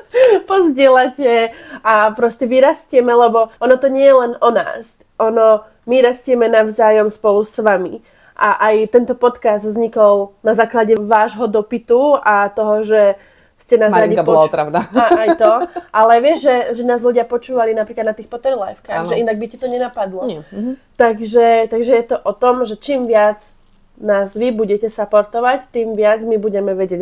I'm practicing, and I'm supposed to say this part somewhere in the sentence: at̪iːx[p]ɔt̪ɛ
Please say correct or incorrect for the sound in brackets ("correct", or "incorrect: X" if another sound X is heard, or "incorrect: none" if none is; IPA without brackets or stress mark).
correct